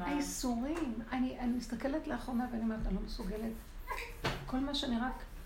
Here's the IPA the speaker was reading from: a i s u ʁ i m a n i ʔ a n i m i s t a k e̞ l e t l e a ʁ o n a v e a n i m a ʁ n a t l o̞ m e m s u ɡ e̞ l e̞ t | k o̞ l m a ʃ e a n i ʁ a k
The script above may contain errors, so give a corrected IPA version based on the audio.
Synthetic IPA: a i s u ʁ i m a n i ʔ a n i m i s t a k e̞ l e t l e a χ o n a v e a n i m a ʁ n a l o̞ m e s u ɡ e̞ l e̞ t | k o̞ l m a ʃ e a n i ʁ a k